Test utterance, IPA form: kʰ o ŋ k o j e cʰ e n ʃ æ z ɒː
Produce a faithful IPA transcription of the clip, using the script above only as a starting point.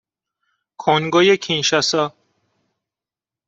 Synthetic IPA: kʰ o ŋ ɡ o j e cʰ i n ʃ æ s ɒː

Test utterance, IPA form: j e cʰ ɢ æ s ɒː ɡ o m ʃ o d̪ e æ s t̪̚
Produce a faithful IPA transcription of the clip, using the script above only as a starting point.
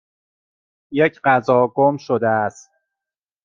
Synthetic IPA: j e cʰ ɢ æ z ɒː ɡ o m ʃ o d̪ e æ s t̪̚

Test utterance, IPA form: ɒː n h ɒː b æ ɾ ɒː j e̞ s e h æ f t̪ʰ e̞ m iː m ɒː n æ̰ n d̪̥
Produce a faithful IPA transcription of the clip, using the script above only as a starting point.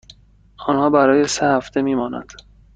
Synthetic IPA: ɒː n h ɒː b æ ɾ ɒː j e̞ s e h æ f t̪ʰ e̞ m iː m ɒː n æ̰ n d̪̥

